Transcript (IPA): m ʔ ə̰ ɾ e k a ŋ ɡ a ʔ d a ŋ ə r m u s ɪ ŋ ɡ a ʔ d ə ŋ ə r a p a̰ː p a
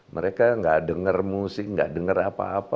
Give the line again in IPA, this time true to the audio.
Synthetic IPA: m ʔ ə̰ ɾ e k a ŋ ɡ a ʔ d ə ŋ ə r m u s ɪ ŋ ɡ a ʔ d ə ŋ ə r a p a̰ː p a